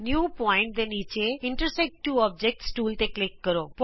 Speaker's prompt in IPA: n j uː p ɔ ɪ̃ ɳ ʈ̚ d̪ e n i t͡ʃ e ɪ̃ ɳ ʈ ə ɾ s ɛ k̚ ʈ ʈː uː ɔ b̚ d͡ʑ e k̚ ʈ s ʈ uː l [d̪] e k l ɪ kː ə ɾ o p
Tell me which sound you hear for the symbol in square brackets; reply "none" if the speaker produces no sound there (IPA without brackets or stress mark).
t̪